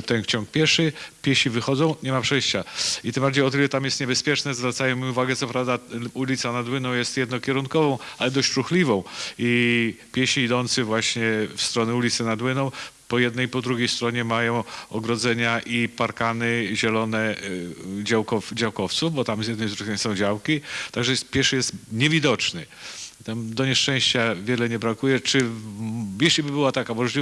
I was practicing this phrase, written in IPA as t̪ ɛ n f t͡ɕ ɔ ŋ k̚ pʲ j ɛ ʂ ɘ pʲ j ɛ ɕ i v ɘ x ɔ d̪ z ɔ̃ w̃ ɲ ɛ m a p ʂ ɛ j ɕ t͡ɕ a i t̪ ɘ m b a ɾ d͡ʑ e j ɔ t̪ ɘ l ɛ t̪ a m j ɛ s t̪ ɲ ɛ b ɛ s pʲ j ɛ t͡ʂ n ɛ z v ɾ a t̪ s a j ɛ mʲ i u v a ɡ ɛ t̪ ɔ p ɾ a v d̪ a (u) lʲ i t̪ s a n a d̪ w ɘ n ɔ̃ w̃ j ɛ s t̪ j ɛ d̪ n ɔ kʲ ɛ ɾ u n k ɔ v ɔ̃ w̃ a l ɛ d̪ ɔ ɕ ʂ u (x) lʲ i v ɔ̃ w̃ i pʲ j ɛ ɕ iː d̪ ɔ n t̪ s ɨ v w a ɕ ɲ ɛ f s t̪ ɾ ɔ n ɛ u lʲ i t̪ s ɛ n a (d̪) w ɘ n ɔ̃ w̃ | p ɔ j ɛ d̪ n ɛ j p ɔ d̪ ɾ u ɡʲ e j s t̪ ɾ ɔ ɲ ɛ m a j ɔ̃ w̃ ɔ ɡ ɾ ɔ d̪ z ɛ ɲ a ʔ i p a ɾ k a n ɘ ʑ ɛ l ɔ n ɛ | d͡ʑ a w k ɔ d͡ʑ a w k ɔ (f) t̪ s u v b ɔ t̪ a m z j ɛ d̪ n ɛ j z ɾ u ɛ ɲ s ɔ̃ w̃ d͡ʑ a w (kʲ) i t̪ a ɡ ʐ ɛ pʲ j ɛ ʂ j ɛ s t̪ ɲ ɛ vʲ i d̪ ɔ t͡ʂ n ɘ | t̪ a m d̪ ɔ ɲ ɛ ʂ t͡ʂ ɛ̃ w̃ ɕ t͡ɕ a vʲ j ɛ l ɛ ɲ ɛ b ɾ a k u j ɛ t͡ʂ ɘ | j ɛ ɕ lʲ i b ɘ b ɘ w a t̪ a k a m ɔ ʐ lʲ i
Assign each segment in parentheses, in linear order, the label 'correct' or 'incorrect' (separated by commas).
correct, correct, correct, correct, correct